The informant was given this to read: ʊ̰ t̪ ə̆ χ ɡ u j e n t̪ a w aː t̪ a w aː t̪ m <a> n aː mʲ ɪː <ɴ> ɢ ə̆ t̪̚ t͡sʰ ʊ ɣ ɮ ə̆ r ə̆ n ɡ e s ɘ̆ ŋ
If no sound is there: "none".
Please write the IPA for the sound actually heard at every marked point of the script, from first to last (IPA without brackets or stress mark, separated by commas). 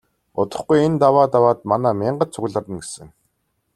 a, ɴ